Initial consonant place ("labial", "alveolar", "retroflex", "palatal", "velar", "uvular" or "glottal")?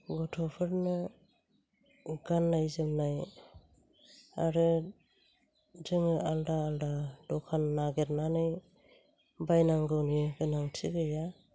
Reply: velar